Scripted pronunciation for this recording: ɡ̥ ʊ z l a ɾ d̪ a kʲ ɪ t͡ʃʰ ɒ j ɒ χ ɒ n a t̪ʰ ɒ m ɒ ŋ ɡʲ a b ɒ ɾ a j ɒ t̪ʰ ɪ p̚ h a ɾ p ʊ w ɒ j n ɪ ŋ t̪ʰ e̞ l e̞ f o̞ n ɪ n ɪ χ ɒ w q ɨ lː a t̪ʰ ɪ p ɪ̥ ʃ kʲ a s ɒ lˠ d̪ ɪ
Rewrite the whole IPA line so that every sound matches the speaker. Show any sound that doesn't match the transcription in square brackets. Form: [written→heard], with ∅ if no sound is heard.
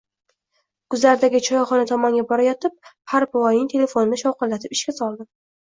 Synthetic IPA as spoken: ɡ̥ ʊ z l a ɾ d̪ a [kʲ→ɡʲ] ɪ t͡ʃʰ ɒ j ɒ χ ɒ n a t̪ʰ ɒ m ɒ ŋ ɡʲ a b ɒ ɾ a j ɒ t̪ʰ ɪ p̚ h a ɾ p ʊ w ɒ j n ɪ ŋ t̪ʰ e̞ l e̞ f o̞ n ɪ n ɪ [χ→ʃ] ɒ w q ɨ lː a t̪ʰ ɪ p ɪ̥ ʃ kʲ a s ɒ lˠ d̪ ɪ